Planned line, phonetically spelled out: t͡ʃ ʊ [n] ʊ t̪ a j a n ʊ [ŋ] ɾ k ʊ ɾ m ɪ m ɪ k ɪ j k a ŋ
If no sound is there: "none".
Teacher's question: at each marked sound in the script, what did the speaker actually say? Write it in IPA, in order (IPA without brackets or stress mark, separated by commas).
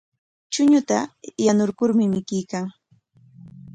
ɲ, none